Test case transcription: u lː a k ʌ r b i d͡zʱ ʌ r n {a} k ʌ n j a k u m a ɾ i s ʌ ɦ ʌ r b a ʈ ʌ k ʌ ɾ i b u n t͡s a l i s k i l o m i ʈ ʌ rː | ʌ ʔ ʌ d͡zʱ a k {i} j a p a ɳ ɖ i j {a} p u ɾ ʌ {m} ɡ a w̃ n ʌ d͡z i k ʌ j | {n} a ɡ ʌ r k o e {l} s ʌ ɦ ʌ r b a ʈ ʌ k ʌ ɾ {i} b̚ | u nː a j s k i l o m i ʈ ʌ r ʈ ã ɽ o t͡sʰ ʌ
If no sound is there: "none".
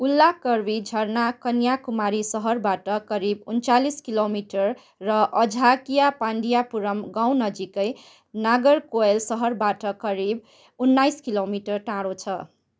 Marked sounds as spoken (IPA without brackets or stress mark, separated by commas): a, i, a, m, n, l, i